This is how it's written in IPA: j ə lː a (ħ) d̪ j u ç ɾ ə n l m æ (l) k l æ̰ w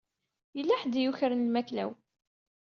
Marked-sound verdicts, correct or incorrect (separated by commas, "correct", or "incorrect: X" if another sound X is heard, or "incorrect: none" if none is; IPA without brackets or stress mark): correct, incorrect: none